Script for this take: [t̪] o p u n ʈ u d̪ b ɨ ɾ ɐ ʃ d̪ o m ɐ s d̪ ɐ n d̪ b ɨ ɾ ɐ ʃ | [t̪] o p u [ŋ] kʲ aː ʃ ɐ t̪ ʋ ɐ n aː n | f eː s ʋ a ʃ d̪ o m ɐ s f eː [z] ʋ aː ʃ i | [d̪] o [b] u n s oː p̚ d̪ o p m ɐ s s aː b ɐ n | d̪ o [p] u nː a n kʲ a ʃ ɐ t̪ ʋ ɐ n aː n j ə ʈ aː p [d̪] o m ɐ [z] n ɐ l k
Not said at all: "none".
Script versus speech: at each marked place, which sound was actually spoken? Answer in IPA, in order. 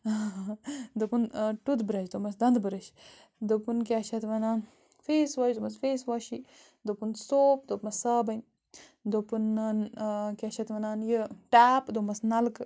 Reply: d̪, d̪, n, s, d̪, p, p, d̪, s

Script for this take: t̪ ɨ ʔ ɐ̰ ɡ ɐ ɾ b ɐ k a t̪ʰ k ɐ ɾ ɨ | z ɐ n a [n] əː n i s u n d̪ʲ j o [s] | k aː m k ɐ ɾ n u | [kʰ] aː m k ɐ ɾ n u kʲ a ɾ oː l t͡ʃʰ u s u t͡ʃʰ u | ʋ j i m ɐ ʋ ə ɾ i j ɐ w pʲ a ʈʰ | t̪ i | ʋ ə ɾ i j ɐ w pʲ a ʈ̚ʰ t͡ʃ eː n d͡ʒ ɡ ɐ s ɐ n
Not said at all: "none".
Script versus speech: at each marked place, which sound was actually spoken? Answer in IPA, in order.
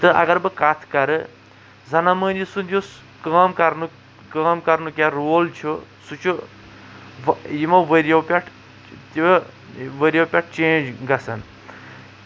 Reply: m, s, k

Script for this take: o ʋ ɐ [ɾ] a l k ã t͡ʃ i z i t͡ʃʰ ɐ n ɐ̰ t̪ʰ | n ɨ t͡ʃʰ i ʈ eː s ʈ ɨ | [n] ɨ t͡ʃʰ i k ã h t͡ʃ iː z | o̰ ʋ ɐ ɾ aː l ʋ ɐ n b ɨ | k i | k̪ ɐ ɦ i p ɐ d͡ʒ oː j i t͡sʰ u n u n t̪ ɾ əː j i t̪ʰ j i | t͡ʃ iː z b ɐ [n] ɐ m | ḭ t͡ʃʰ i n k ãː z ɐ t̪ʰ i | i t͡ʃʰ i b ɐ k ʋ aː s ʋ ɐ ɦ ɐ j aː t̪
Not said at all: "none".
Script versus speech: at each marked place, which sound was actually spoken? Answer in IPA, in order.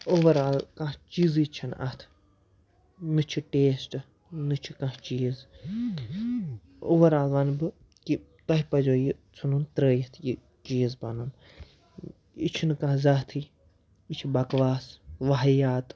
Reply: ɾ, n, n

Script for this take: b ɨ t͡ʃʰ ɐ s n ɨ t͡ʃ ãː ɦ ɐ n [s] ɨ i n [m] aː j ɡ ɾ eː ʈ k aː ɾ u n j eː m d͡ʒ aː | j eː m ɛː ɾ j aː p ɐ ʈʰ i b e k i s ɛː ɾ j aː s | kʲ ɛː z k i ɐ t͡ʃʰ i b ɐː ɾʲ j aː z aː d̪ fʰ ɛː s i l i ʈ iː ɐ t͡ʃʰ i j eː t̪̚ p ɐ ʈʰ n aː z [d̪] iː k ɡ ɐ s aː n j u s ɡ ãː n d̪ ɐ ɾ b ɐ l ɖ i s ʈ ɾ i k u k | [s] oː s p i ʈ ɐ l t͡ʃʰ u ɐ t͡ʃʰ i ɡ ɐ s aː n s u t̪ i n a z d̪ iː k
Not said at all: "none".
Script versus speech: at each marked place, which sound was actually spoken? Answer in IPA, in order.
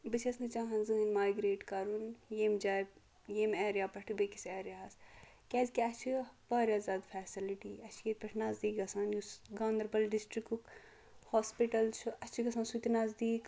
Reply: z, m, d̪, h

